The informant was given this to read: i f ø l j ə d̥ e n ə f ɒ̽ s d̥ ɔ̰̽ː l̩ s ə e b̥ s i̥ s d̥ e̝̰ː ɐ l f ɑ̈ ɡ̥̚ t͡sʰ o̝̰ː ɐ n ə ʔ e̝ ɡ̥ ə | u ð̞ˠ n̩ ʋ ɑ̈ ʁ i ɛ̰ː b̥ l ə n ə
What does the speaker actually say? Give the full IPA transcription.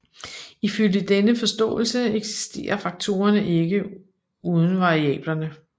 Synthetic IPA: i f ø l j ə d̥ e n ə f ɒ̽ s d̥ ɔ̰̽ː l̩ s ə e ɡ̥ s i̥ s d̥ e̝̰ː ɐ f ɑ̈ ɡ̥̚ t͡sʰ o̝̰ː ɐ n ə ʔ e̝ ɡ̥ ə | u ð̞ˠ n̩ ʋ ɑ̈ ʁ i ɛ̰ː b̥ l ɐ n ə

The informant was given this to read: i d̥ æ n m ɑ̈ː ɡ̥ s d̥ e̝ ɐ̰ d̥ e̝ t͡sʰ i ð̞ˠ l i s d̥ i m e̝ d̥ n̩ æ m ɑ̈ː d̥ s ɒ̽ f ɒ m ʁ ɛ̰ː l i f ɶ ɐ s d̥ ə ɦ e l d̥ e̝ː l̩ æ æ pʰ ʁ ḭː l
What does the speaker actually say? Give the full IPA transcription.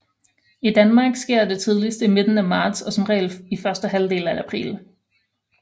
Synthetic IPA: i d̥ æ n m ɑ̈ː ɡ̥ s ɡ̥ e̝ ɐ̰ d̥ e̝ t͡sʰ i ð̞ˠ l i s d̥ i m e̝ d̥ n̩ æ m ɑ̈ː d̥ s ɒ̽ s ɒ m ʁ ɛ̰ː l i f ɶ ɐ s d̥ ə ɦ æ l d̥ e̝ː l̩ æ æ pʰ ʁ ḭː l

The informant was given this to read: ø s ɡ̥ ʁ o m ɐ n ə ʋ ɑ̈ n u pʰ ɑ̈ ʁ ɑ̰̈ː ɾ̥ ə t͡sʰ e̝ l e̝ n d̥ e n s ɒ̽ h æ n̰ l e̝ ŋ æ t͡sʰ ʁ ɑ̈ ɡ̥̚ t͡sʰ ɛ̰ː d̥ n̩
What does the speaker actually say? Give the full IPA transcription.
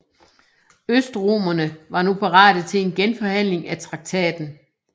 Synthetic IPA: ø s d̥ ʁ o m ɐ n ə ʋ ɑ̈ n u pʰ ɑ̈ ʁ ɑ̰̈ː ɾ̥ ə t͡sʰ e̝ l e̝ n ɡ̥ e n f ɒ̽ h æ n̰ l e̝ ŋ æ t͡sʰ ʁ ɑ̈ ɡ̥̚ t͡sʰ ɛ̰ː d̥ n̩

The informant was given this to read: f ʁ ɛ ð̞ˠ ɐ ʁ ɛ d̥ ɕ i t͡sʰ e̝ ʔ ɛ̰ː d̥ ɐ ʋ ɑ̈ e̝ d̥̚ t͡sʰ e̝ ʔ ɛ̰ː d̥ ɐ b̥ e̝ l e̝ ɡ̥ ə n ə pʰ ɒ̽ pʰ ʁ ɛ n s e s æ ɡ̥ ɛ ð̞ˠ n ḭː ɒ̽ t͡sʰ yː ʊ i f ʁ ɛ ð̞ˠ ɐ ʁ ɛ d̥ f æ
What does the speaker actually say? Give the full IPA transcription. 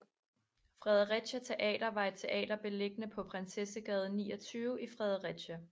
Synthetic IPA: f ʁ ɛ ð̞ˠ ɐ ʁ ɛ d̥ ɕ æ t͡sʰ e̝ ʔ ɛ̰ː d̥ ɐ ʋ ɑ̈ e̝ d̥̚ t͡sʰ e̝ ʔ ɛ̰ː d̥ ɐ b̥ e̝ l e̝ ɡ̥ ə n ə pʰ ɒ̽ pʰ ʁ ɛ n s e s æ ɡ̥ ɛ ð̞ˠ n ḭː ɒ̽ t͡sʰ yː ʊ i f ʁ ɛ ð̞ˠ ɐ ʁ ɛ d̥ ɕ æ

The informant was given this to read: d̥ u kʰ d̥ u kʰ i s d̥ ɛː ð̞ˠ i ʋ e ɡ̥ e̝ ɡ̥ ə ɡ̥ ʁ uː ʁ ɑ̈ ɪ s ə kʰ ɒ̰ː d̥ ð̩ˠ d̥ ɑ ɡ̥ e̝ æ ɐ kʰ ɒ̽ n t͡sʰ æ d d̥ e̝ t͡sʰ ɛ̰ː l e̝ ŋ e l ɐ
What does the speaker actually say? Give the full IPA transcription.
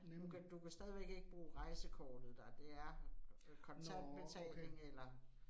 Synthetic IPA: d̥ u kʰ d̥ u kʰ æ s d̥ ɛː ð̞ˠ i ʋ e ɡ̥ e̝ ɡ̥ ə b̥ ʁ uː ʁ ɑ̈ ɪ s ə kʰ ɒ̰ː d̥ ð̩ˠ d̥ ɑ d̥ e̝ æ ɐ kʰ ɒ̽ n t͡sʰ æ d b̥ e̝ t͡sʰ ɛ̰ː l e̝ ŋ e l ɐ

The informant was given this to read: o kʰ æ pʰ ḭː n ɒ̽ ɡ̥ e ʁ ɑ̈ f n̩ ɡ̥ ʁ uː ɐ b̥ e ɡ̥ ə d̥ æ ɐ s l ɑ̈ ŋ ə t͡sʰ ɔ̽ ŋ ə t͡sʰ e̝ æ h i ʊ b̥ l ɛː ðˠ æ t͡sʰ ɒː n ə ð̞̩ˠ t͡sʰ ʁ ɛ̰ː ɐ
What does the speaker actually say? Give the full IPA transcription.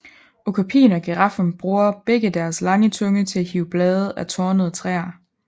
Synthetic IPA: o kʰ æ pʰ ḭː n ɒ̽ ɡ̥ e ʁ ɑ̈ f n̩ b̥ ʁ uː ɐ b̥ e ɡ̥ ə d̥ æ ɐ s l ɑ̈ ŋ ə t͡sʰ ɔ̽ ŋ ə t͡sʰ e̝ æ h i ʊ b̥ l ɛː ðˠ æ t͡sʰ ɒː n ə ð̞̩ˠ t͡sʰ ʁ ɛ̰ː ɐ

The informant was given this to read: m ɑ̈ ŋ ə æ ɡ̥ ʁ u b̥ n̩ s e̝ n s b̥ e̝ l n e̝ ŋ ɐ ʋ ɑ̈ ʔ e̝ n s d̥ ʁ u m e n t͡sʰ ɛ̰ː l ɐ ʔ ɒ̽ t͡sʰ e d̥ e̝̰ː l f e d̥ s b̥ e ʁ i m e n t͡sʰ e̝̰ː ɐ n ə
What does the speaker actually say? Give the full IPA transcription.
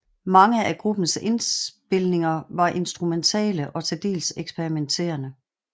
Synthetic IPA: m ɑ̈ ŋ ə æ ɡ̥ ʁ u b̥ n̩ s e̝ n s b̥ e̝ l n e̝ ŋ ɐ ʋ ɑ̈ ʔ e̝ n s d̥ ʁ u m e n t͡sʰ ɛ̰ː l ə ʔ ɒ̽ t͡sʰ e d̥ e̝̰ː l s e ɡ̥ s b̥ e ʁ i m e n t͡sʰ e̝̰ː ɐ n ə

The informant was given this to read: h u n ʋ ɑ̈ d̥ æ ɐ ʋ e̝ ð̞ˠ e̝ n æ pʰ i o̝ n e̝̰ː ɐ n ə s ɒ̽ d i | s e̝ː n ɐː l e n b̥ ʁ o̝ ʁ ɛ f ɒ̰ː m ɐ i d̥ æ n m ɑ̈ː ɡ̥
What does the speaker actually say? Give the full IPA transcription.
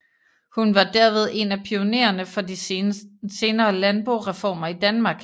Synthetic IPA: h u n ʋ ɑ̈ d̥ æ ɐ ʋ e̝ ð̞ˠ e̝ n æ pʰ i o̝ n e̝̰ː ɐ n ə f ɒ̽ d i | s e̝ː n ɐː l æ n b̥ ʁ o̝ ʁ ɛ f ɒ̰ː m ɐ i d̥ æ n m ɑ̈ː ɡ̥

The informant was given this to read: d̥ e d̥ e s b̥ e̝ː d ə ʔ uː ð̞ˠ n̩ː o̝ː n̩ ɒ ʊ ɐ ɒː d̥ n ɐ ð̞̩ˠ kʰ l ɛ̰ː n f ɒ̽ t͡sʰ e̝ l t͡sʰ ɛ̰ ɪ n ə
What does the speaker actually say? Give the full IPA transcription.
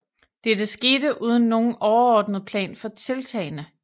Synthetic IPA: d̥ e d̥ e s ɡ̥ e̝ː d ə ʔ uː ð̞ˠ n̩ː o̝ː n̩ ɒ ʊ ɐ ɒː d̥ n ə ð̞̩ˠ pʰ l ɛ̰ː n f ɒ̽ t͡sʰ e̝ l t͡sʰ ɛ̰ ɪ n ə

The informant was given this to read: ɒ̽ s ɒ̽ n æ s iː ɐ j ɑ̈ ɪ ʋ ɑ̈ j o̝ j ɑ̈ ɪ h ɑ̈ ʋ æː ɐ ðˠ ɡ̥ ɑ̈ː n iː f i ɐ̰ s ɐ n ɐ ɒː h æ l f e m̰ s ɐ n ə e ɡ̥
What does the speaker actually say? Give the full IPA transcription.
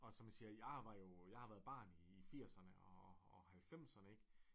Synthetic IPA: ɒ̽ s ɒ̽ m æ s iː ɐ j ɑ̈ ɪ ʋ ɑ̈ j o̝ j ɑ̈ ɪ h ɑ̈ ʋ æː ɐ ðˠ b̥ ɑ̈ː n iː f i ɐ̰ s ɐ n ə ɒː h æ l f e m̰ s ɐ n ə e ɡ̥

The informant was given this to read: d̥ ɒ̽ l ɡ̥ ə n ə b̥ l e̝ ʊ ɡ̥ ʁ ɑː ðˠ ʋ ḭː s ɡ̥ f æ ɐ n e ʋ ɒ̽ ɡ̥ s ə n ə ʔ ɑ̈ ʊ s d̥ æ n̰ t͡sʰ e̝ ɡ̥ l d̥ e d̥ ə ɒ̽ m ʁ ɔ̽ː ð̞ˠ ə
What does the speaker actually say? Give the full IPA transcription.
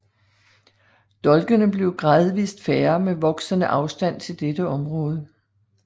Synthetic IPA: d̥ ɒ̽ l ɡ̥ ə n ə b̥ l e̝ ʊ ɡ̥ ʁ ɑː ðˠ ʋ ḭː s d̥ f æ ɐ m e ʋ ɒ̽ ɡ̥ s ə n ə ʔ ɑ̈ ʊ s d̥ æ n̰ t͡sʰ e̝ l d̥ e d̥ ə ɒ̽ m ʁ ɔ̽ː ð̞ˠ ə

